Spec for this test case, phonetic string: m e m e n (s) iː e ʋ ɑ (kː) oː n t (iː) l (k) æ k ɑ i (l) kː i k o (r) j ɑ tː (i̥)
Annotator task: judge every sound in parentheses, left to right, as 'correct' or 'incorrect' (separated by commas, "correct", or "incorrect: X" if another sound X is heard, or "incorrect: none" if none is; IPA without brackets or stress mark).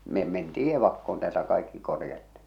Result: incorrect: t, correct, incorrect: æː, incorrect: t, incorrect: none, correct, correct